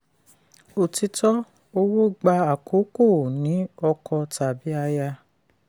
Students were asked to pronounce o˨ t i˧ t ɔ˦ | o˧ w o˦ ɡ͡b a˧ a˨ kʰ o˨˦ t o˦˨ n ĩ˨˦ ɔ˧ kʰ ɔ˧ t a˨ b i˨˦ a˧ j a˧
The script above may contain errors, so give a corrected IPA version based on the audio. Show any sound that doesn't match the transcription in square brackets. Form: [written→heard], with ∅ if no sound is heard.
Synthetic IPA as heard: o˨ t i˧ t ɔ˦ | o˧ w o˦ ɡ͡b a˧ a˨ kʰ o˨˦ [t→k] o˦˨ n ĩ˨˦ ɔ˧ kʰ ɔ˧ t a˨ b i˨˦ a˧ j a˧